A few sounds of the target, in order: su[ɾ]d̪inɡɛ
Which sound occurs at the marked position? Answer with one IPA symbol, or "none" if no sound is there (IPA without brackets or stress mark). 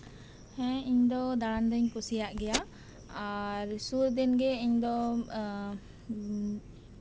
ɾ